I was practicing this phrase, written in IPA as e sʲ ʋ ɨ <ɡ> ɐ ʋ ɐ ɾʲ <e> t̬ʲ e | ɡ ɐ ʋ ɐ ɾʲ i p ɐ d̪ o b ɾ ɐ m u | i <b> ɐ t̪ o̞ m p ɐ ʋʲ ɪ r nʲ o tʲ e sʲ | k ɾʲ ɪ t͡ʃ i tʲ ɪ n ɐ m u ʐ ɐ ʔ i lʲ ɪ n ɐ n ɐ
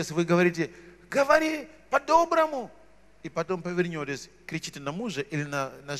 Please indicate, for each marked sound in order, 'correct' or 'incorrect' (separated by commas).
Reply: correct, incorrect, incorrect